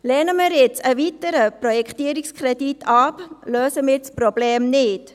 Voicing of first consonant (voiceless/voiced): voiced